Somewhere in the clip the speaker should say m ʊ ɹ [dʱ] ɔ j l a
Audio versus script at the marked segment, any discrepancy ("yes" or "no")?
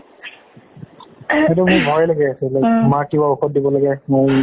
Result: yes